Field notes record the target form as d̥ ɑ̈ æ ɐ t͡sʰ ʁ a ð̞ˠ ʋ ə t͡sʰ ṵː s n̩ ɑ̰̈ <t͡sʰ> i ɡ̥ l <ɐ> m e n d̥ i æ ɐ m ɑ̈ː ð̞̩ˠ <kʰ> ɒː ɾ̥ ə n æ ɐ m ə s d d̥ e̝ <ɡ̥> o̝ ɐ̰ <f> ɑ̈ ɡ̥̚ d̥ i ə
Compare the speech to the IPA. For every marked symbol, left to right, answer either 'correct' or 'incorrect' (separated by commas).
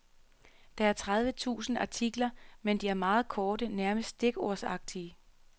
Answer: correct, correct, correct, correct, incorrect